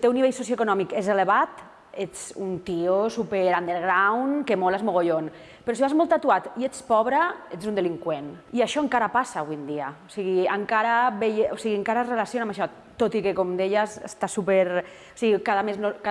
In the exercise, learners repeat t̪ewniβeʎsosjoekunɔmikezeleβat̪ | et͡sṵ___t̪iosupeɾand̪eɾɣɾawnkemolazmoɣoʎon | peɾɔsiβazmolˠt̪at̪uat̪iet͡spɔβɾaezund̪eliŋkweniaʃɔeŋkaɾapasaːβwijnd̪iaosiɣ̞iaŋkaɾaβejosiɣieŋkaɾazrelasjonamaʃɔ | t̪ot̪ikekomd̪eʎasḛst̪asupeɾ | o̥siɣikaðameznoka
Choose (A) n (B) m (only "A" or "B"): A